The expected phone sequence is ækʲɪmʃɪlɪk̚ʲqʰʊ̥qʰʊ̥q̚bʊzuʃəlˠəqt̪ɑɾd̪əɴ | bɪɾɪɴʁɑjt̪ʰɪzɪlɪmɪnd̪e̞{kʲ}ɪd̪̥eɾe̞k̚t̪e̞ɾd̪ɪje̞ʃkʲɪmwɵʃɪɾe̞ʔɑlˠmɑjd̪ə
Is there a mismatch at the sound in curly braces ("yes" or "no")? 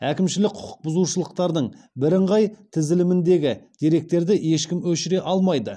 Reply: yes